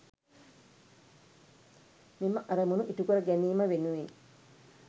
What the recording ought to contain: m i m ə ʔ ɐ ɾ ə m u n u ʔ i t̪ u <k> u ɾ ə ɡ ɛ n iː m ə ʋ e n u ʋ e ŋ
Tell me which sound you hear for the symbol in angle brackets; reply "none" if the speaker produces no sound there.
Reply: k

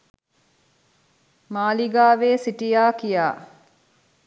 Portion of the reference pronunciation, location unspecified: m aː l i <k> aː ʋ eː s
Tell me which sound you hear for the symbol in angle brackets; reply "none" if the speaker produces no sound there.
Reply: ɡ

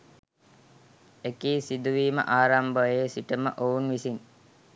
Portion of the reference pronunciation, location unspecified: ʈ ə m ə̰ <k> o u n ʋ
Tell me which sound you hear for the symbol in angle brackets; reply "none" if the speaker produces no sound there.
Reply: ʔ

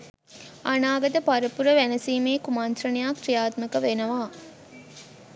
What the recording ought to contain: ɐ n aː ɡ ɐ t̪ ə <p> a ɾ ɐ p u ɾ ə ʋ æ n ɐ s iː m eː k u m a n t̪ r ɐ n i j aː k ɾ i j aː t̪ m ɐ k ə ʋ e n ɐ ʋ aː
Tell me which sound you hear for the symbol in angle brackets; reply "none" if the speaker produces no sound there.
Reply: p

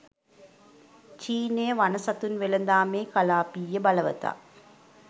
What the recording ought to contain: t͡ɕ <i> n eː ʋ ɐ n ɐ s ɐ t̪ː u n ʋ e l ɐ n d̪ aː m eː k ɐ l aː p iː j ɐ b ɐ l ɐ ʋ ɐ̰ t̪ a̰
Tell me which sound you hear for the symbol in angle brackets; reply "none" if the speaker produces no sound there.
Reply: iː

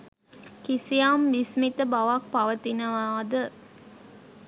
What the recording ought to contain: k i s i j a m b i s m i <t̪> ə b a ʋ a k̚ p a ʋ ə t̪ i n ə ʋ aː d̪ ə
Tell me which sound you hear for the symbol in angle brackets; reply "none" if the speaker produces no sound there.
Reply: t̪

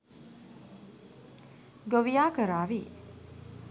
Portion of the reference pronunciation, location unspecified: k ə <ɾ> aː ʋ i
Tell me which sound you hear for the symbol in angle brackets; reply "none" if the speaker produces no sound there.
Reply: ɾ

